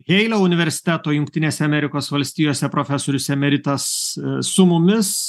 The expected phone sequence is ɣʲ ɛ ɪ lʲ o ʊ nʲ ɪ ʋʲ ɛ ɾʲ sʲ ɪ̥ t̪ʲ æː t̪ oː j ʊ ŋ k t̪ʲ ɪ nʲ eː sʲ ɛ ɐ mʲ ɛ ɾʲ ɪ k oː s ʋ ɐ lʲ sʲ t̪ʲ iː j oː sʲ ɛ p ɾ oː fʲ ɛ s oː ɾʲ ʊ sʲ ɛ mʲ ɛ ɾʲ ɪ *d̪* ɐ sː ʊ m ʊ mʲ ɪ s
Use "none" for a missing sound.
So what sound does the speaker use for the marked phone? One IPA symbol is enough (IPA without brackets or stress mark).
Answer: t̪